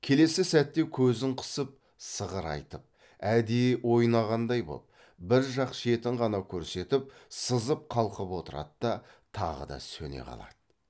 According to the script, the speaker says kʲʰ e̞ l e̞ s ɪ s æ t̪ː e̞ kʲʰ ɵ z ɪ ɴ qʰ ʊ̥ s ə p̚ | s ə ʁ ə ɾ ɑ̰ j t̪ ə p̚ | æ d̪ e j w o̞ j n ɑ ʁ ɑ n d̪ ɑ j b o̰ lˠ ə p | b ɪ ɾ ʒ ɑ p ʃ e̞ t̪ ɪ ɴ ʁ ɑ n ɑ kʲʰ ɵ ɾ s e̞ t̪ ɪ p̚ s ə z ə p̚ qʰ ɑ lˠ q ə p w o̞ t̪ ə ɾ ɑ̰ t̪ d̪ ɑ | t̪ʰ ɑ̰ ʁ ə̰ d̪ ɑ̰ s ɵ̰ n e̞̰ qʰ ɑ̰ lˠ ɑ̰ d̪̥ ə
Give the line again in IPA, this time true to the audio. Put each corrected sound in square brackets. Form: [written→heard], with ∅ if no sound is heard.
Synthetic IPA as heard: kʲʰ e̞ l e̞ s ɪ s æ t̪ː e̞ kʲʰ ɵ z ɪ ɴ qʰ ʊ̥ s ə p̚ | s ə ʁ ə ɾ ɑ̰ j t̪ ə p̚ | æ d̪ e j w o̞ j n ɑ ʁ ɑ n d̪ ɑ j b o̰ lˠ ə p | b ɪ ɾ ʒ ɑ [p→q] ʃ e̞ t̪ ɪ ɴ ʁ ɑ n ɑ kʲʰ ɵ ɾ s e̞ t̪ ɪ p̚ s ə z ə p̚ qʰ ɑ lˠ q ə p w o̞ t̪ ə ɾ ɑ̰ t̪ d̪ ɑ | t̪ʰ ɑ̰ ʁ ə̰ d̪ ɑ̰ s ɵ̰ n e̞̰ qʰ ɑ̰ lˠ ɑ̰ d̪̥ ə